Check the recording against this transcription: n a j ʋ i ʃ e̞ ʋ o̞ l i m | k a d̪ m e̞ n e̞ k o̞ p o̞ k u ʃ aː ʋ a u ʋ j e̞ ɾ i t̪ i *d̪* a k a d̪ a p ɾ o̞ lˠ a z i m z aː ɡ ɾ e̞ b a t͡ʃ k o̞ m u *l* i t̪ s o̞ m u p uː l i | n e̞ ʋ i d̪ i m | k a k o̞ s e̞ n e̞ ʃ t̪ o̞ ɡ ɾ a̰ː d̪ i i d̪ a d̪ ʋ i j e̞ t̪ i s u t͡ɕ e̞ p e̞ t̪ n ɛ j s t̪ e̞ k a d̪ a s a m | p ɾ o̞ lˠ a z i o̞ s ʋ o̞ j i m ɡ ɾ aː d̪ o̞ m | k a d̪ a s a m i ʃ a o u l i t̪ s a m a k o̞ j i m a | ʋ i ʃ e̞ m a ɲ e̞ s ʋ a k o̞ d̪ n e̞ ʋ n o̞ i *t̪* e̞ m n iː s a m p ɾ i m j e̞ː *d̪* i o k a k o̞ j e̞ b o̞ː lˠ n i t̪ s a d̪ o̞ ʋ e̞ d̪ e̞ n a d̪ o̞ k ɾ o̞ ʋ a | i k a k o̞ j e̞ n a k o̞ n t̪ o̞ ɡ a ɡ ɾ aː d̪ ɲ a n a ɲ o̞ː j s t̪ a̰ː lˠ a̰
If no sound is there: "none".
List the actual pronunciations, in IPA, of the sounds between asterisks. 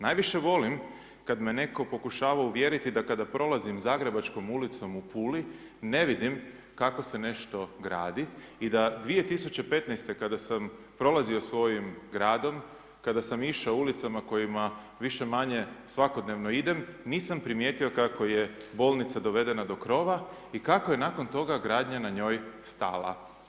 d̪, l, d̪, t̪

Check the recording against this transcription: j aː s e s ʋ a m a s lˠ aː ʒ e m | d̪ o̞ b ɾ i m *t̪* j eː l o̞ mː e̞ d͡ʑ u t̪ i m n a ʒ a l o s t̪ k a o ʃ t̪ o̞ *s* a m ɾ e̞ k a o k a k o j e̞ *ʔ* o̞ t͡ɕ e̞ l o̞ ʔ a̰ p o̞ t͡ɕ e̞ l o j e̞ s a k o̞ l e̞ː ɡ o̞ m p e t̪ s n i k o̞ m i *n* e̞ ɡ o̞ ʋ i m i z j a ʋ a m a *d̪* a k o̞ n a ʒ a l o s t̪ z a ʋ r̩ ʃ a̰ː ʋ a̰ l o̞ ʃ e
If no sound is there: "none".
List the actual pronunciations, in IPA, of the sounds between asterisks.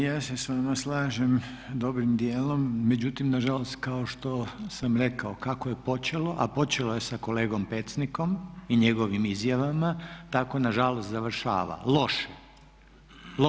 d̪, s, p, ɲ, t̪

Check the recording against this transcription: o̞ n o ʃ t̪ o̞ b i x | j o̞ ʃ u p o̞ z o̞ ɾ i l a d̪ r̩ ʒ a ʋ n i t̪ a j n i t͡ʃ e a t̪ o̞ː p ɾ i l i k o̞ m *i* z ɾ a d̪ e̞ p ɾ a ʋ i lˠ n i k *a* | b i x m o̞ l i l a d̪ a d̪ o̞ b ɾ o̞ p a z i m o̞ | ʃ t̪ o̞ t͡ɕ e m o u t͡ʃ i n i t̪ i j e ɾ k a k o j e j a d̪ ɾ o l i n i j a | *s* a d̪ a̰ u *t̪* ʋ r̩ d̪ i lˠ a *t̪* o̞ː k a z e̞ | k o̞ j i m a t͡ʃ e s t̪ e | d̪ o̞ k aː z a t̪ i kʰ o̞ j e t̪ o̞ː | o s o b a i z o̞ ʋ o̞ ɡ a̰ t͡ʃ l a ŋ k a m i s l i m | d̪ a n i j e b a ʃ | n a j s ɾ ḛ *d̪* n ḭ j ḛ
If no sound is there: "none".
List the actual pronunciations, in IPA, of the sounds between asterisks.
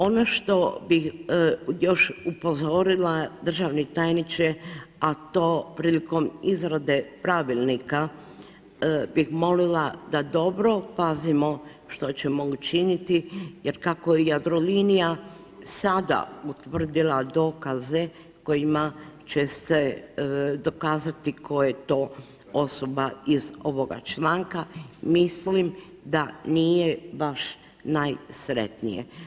i, a, s, t̪, d̪, t̪

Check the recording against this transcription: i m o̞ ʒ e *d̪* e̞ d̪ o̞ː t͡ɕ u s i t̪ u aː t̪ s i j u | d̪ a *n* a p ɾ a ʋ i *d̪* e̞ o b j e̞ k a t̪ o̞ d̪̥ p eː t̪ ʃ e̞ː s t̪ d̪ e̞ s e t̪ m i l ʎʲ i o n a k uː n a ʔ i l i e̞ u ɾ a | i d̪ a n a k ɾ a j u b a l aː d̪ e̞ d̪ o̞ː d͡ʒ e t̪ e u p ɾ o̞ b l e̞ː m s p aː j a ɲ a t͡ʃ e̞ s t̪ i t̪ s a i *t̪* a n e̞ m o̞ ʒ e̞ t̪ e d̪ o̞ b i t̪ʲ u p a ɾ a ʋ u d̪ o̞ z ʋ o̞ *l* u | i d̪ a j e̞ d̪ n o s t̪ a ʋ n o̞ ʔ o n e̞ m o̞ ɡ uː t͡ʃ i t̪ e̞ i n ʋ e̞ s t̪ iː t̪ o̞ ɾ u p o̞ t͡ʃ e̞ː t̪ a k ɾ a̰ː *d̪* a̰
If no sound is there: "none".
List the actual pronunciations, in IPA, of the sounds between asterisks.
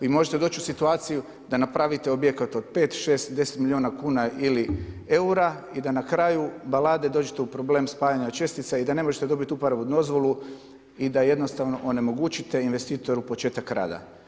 t̪, n, t̪, d̪, l, d̪

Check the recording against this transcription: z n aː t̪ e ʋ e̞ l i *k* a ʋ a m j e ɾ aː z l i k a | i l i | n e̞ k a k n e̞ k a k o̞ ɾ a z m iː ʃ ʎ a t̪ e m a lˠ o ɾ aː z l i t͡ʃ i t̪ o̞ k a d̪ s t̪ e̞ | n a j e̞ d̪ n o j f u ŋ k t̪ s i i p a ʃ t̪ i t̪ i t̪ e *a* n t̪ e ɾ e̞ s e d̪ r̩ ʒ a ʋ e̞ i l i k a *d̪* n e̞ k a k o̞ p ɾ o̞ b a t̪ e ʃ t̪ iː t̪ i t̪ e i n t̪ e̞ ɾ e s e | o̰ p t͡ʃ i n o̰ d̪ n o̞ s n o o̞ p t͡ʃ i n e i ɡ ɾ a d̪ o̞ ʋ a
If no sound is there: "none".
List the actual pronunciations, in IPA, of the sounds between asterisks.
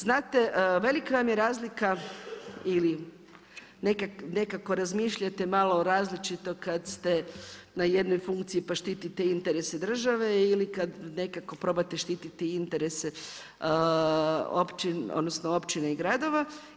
k, i, d̪

